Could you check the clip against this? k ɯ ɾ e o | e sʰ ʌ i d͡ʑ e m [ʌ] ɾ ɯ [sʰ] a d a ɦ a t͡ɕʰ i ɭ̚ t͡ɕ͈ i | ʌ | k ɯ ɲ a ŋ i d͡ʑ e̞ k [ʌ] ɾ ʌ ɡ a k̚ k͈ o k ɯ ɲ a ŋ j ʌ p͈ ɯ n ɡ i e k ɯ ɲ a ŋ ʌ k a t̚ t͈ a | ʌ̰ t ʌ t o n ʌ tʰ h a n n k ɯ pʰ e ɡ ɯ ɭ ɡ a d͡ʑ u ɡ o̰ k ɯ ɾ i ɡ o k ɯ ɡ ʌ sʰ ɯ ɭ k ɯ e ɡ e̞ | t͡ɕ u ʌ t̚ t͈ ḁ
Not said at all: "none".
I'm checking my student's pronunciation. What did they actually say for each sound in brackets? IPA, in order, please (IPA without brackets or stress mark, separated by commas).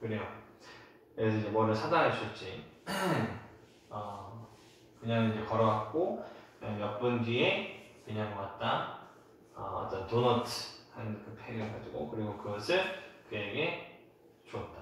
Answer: ʌ, sʰ, ʌ